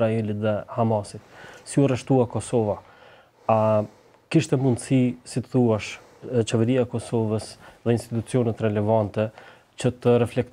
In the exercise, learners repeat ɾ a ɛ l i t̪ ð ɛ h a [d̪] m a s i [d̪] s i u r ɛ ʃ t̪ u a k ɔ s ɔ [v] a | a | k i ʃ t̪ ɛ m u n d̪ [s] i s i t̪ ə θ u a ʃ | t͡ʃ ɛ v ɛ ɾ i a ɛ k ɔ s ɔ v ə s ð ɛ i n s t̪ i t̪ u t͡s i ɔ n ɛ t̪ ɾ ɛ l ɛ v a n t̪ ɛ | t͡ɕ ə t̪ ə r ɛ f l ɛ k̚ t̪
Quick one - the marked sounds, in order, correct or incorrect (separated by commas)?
incorrect, incorrect, correct, correct